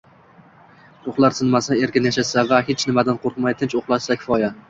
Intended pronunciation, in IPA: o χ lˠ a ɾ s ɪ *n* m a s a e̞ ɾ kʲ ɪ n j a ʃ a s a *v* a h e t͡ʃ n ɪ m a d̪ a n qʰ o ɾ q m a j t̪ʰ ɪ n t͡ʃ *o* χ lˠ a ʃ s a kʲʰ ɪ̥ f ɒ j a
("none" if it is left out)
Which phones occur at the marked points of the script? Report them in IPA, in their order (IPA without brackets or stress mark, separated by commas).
n, v, o